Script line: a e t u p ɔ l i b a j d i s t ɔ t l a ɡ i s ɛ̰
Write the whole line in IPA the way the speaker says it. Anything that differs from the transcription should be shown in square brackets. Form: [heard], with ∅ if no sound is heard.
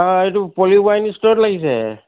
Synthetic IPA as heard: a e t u p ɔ l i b a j [n] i s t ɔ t l a ɡ i s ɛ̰